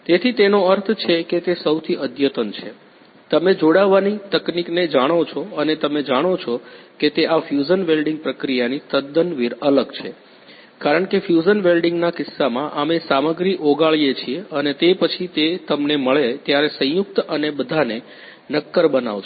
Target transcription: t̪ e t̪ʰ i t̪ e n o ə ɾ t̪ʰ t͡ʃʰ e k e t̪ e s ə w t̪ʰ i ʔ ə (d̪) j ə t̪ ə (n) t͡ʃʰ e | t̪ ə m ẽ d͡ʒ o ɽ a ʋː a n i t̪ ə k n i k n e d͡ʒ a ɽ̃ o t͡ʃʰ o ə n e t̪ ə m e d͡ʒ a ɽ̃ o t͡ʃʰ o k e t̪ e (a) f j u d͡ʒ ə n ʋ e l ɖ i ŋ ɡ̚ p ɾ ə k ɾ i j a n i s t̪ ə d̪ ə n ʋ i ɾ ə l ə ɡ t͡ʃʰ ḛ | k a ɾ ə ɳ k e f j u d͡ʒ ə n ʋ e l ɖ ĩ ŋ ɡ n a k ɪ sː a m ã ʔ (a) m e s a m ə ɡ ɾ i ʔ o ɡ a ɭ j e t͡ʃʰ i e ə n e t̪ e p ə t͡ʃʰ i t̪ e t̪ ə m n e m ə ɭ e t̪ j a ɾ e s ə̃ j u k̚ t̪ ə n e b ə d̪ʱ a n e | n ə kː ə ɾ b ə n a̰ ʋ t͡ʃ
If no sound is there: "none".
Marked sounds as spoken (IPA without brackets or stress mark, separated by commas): d̪, n, a, a